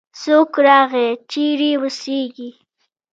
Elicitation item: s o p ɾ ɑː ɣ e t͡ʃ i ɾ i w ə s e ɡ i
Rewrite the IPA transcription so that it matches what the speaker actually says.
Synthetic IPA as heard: s o k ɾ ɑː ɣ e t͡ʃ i ɾ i w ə s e ɡ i